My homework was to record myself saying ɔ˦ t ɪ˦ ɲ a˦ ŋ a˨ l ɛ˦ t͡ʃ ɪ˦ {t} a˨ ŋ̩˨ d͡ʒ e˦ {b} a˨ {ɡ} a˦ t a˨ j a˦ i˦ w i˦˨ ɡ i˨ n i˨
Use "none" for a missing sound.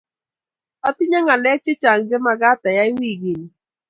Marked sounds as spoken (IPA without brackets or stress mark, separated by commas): t͡ʃ, m, ɡ